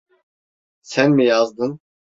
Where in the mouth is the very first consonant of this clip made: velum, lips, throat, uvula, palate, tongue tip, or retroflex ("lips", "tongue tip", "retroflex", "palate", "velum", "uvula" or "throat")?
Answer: tongue tip